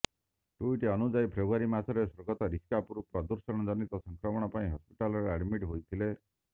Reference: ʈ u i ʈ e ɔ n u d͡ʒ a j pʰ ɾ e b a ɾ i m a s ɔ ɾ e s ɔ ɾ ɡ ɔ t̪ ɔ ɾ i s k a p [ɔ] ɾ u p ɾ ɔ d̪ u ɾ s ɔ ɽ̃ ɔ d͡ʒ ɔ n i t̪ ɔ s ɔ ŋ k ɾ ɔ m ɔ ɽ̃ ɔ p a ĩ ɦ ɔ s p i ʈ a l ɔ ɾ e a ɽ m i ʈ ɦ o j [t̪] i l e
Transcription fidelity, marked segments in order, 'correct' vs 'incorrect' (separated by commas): incorrect, incorrect